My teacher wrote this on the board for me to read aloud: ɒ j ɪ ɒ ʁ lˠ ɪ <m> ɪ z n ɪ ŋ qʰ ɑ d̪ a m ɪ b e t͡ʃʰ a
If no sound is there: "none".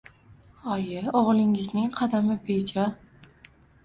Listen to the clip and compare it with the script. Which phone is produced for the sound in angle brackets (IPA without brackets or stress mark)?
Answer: ŋ